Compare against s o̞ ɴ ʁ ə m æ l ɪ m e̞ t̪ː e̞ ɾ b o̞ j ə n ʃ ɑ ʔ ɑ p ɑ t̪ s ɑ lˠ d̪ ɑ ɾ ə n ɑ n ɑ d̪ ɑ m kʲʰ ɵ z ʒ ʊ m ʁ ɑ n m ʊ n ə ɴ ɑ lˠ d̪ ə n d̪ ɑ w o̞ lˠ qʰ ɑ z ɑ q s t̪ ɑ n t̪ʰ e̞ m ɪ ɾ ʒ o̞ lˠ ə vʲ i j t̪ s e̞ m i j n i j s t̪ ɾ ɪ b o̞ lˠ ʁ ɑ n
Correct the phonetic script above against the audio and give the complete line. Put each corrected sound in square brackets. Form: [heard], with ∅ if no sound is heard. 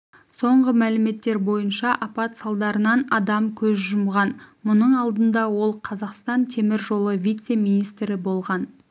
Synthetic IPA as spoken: s o̞ ɴ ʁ ə m æ l ɪ m e̞ t̪ː e̞ ɾ b o̞ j ə n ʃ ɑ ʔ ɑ p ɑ t̪ s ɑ lˠ d̪ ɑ ɾ ə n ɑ n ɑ d̪ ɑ m kʲʰ ɵ z ʒ ʊ m ʁ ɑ n m ʊ n ə ɴ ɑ lˠ d̪ ə n d̪ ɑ w o̞ lˠ qʰ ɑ z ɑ q s t̪ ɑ n t̪ʰ e̞ m ɪ ɾ ʒ o̞ lˠ ə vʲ i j t̪ s e̞ m i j n i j s t̪ ɾ ɪ b o̞ lˠ ʁ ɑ n